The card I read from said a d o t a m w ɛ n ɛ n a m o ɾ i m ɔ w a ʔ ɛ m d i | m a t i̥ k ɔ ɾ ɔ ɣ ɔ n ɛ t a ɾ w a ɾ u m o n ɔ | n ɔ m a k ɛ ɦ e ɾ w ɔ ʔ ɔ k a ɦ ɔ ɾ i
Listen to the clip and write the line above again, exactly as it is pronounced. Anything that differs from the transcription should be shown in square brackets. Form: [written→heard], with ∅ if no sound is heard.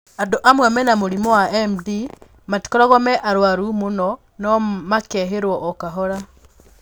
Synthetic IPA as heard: a d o [t→ʔ] a m w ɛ [n→m] ɛ n a m o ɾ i m ɔ w a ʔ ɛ m d i | m a t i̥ k ɔ ɾ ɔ ɣ ɔ [n→m] ɛ [t→ʔ] a ɾ w a ɾ u m o n ɔ | n ɔ m a k ɛ ɦ e ɾ w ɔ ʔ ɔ k a ɦ ɔ ɾ [i→a]